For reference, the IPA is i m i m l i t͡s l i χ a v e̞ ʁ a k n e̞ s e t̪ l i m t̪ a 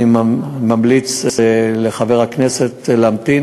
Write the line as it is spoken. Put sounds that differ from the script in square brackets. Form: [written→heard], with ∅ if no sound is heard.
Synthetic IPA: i m [i→a] m l i t͡s l [i→e] χ a v e̞ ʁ a k n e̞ s e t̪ l [i→a] m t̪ [a→i]